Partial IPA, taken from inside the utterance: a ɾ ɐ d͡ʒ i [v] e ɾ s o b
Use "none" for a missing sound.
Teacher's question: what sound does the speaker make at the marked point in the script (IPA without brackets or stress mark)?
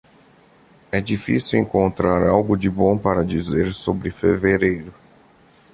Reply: z